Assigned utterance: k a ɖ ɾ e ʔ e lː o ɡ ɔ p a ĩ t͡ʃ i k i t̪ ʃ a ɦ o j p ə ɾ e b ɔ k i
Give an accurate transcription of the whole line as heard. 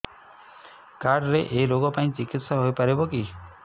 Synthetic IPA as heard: k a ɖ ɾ e ʔ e l o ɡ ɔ p a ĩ t͡ʃ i k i t̪ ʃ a ɦ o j p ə ɾ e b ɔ k i

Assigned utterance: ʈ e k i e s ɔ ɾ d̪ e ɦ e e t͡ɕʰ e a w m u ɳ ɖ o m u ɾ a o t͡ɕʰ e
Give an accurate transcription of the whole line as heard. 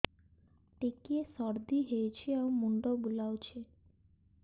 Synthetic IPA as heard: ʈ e k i e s ɔ ɾ d̪ i ɦ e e t͡ɕʰ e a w m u ɳ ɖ o b u l a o t͡ɕʰ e

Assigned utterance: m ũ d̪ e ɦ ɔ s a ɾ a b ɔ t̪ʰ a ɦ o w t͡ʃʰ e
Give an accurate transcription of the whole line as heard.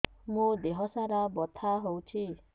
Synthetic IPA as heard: m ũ d̪ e ɦ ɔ s a ɾ a b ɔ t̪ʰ a ɦ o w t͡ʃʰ i

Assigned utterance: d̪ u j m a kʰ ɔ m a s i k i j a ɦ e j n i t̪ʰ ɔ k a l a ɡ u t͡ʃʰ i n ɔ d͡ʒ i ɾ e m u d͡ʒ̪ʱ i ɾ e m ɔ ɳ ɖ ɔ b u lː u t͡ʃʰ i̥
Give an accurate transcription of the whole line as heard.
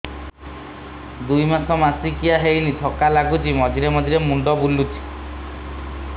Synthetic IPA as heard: d̪ u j m a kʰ ɔ m a s i k i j a ɦ e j n i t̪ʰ ɔ k a l a ɡ u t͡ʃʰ i m ɔ d͡ʒ i ɾ e m ɔ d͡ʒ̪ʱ i ɾ e m u ɳ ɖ ɔ b u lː u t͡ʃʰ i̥

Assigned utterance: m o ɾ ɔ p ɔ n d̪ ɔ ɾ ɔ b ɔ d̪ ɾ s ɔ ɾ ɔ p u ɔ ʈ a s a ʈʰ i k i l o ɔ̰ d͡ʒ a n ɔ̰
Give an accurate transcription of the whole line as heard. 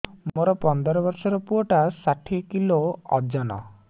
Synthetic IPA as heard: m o ɾ ɔ p ɔ n d̪ ɔ ɾ ɔ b ɔ ɾ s ɔ ɾ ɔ p u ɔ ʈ a s a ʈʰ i k i l o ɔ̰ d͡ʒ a n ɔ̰

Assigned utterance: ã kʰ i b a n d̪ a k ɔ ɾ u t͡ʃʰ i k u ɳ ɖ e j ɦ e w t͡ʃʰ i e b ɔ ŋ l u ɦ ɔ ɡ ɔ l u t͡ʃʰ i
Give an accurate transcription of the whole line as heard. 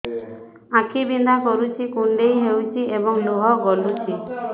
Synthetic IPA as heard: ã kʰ i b i n d̪ a k ɔ ɾ u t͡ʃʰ i k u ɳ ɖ e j ɦ e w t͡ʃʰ i e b ɔ ŋ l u ɦ ɔ ɡ ɔ l u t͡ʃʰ i

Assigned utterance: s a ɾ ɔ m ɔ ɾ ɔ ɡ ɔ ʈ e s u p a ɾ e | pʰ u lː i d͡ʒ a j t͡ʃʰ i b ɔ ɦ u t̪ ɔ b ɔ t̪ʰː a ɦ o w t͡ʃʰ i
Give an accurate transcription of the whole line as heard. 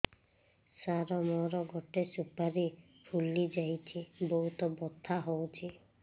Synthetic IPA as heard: s a ɾ ɔ m ɔ ɾ ɔ ɡ ɔ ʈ e s u p a ɾ i | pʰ u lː i d͡ʒ a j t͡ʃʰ i b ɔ ɦ u t̪ ɔ b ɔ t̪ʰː a ɦ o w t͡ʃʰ i

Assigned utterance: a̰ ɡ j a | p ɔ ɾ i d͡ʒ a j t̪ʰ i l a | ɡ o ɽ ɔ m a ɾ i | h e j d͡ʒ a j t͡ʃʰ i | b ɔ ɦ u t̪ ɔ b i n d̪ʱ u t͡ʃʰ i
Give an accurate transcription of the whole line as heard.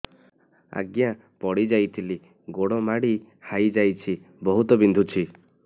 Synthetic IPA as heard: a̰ ɡ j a | p ɔ ɽ i d͡ʒ a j t̪ʰ i l i | ɡ o ɽ ɔ m a ɽ i | h a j d͡ʒ a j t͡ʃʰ i | b ɔ ɦ u t̪ ɔ b i n d̪ʱ u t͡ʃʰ i

